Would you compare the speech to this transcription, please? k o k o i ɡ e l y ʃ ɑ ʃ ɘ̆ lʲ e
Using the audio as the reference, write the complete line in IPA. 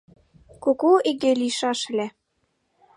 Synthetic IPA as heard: k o k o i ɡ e l i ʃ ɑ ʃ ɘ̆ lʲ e